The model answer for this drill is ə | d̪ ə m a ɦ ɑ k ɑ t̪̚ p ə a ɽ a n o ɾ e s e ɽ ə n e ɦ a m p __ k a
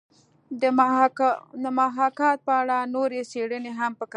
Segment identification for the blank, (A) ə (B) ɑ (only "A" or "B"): A